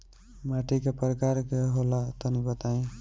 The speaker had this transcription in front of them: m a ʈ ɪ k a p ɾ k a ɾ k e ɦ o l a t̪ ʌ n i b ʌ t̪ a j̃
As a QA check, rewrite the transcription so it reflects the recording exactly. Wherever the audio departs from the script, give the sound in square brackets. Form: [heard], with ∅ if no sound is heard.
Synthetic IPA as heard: m a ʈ [i] k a p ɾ k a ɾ k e ɦ o l a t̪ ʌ n i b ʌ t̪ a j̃